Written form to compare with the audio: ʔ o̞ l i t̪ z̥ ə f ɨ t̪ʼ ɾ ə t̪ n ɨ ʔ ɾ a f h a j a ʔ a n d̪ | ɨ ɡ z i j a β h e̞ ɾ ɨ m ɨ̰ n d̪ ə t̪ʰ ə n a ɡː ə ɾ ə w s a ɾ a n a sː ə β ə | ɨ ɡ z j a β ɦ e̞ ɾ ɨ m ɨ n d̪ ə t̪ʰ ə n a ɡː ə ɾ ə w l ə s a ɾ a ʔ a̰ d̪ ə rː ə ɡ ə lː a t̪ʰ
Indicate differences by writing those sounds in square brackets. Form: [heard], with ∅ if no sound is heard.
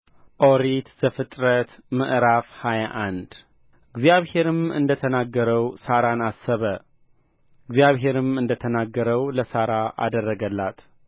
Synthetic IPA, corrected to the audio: ʔ o̞ [ɾ] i t̪ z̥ ə f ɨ t̪ʼ ɾ ə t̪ [m] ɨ ʔ ɾ a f h a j a ʔ a n d̪ | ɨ ɡ z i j a β h e̞ ɾ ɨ m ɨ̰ n d̪ ə t̪ʰ ə n a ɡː ə ɾ ə w s a ɾ a n a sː ə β ə | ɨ ɡ z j a β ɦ e̞ ɾ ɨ m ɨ n d̪ ə t̪ʰ ə n a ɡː ə ɾ ə w l ə s a ɾ a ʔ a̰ d̪ ə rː ə ɡ ə lː a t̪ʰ